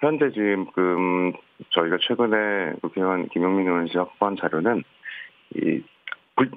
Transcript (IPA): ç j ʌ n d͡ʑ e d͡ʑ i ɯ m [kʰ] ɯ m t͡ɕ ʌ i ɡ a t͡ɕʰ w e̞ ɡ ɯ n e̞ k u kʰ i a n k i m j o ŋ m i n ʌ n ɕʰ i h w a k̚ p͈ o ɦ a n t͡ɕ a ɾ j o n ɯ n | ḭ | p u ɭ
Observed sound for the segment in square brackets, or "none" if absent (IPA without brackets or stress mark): k